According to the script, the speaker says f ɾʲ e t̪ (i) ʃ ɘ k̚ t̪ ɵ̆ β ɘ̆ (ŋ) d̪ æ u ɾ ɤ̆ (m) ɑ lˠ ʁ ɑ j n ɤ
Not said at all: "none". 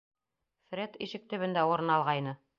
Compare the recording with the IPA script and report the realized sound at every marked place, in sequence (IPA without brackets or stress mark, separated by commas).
i, n, n